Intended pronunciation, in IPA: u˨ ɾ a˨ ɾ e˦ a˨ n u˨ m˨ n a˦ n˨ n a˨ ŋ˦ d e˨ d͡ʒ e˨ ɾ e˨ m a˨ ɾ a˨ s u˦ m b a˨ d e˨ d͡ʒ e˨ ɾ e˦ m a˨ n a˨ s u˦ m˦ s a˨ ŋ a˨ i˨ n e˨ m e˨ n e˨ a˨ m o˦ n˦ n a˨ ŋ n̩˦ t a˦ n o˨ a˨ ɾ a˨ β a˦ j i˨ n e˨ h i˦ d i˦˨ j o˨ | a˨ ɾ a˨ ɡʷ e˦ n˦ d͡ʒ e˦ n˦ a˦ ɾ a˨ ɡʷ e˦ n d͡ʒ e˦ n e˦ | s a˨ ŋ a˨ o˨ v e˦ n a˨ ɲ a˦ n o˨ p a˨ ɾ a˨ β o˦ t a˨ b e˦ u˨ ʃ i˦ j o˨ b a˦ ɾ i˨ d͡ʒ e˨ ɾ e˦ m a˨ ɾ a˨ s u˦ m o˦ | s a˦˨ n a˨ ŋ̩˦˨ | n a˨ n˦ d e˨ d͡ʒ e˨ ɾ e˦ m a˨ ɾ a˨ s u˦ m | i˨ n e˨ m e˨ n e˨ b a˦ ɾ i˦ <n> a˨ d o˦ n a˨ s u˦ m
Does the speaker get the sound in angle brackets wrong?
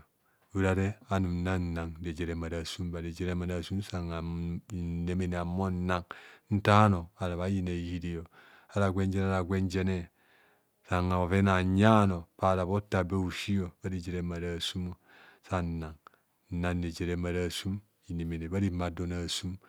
yes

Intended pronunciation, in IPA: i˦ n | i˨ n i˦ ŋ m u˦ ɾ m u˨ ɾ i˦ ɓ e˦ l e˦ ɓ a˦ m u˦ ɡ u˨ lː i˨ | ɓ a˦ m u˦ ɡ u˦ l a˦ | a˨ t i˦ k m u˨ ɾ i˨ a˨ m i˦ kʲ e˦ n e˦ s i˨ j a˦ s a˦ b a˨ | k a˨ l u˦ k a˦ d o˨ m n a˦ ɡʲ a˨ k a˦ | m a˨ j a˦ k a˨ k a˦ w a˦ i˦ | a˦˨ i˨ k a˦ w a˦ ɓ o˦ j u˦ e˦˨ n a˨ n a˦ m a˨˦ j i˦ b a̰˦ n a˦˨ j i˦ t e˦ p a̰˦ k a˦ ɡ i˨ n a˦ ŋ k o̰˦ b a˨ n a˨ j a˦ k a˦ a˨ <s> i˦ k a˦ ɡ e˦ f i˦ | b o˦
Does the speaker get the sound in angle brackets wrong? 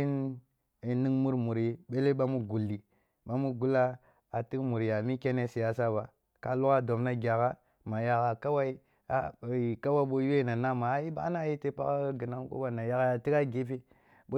yes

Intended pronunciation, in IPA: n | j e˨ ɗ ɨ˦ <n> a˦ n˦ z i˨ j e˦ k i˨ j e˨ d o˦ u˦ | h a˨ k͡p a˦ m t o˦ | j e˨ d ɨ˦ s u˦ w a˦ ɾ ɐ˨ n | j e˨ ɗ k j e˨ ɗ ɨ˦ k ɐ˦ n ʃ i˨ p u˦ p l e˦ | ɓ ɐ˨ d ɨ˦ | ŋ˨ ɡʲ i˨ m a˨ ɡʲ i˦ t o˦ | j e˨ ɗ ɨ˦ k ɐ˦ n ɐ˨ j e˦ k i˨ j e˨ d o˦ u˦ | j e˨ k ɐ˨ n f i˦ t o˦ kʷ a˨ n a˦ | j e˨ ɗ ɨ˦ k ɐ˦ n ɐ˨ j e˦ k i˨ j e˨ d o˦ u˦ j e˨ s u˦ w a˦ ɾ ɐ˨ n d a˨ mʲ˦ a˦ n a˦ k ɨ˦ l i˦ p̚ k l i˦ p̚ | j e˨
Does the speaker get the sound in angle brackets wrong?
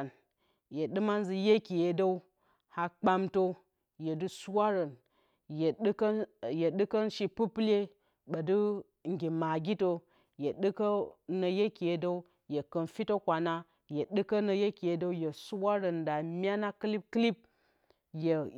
yes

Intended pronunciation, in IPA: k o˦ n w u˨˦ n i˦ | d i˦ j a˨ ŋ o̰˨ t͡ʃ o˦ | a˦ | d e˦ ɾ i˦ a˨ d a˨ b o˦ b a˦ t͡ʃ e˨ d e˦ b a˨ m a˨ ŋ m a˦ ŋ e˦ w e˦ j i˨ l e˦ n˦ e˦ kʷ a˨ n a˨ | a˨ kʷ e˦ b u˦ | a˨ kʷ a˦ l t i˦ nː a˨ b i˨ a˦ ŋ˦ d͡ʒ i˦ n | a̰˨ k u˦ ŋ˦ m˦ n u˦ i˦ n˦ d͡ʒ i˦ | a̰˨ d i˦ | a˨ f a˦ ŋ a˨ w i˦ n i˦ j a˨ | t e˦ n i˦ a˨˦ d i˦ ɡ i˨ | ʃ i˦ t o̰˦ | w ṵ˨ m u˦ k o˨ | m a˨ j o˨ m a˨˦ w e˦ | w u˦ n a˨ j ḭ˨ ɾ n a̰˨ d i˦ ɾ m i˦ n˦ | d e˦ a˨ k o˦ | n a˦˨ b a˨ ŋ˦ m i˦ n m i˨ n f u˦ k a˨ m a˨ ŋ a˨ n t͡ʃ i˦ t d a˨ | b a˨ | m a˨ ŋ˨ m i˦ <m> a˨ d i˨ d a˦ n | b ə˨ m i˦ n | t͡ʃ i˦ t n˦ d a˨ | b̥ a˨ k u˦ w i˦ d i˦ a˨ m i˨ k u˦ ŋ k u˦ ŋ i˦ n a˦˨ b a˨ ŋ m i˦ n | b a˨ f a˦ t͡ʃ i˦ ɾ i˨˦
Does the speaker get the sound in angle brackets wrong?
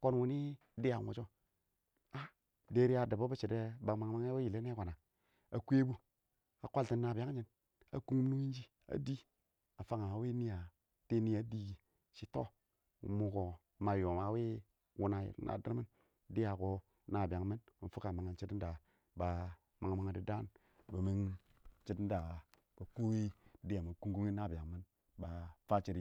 yes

